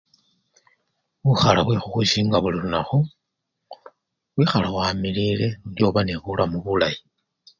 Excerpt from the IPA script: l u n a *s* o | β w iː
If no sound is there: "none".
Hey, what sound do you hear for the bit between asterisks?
x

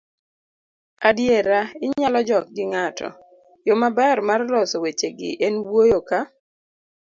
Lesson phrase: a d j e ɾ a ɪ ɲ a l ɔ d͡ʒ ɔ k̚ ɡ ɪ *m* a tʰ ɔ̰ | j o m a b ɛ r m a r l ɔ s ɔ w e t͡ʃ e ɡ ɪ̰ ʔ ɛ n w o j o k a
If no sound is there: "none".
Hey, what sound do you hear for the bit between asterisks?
ŋ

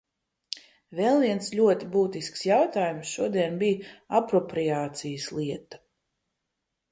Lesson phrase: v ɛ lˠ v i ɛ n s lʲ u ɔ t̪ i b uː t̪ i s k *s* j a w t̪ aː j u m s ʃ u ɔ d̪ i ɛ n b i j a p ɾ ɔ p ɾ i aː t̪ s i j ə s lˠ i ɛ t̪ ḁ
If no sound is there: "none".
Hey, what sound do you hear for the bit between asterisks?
s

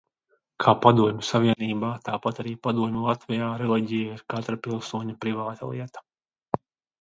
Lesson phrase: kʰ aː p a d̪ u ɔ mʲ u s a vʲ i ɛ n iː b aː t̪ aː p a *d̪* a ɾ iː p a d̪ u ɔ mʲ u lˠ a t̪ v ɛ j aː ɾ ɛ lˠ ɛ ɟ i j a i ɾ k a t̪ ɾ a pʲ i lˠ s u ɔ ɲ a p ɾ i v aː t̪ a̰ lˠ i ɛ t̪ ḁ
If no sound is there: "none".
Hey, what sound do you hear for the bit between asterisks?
t̪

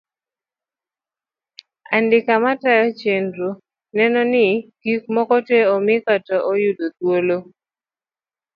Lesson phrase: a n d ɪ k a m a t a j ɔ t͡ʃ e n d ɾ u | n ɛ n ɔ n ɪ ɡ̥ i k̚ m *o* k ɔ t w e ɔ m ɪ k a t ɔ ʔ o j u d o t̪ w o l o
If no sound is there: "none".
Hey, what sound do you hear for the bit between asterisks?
ɔ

